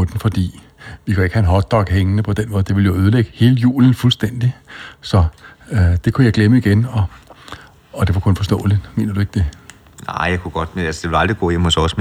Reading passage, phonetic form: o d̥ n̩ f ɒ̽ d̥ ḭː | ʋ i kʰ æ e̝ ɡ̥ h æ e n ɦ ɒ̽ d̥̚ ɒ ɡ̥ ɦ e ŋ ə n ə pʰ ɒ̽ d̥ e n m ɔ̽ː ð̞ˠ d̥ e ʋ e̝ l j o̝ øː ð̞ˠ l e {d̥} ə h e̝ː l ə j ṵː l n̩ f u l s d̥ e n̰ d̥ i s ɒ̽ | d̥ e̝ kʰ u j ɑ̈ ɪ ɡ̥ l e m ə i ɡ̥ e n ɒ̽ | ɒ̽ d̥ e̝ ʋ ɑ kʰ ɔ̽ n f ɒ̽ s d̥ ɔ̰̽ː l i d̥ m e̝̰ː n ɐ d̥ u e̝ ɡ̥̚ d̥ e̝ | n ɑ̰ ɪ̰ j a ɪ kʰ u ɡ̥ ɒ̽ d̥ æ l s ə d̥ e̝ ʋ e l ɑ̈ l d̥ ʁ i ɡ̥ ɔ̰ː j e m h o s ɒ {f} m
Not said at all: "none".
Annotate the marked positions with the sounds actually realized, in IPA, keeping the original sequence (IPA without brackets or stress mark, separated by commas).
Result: ɡ̥, s